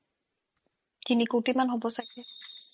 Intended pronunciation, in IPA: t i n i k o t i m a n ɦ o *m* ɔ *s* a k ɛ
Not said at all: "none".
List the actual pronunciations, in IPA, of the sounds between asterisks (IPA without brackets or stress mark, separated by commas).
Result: b, s